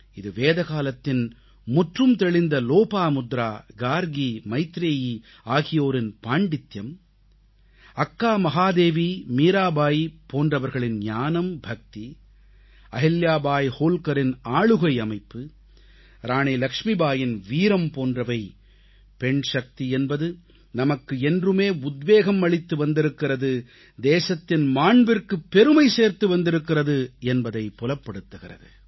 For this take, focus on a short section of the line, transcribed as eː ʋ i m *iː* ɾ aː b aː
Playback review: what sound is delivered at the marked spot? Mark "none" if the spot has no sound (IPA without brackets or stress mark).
iː